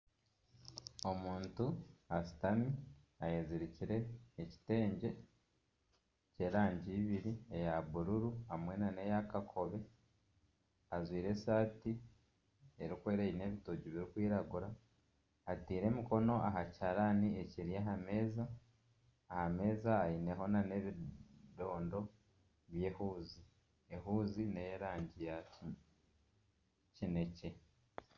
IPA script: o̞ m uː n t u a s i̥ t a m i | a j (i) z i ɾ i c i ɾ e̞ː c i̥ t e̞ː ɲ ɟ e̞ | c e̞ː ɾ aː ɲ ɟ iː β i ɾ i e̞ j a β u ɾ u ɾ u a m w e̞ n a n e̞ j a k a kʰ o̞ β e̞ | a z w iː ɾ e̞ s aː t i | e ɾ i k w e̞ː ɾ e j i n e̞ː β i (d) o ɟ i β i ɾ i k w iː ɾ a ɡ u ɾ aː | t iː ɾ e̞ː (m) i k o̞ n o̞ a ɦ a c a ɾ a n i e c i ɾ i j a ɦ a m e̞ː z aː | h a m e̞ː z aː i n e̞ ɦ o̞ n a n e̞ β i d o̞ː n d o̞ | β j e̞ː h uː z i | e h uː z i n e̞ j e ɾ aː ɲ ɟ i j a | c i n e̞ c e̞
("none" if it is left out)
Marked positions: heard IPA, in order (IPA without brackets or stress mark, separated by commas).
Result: e, t, m